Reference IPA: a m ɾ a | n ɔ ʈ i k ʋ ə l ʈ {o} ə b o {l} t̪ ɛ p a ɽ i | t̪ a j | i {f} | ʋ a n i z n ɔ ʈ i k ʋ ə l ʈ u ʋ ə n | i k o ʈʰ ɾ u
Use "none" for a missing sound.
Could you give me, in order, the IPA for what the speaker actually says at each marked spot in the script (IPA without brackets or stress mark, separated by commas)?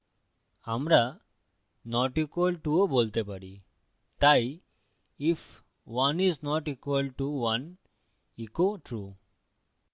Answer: u, l, f